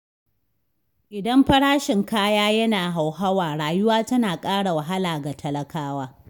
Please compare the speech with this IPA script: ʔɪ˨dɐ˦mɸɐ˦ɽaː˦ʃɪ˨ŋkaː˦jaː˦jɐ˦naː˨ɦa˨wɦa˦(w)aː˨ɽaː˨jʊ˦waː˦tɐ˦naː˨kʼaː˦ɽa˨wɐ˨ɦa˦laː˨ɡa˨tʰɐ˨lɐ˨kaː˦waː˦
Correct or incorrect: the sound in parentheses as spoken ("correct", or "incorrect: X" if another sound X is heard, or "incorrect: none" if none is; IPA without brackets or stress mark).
correct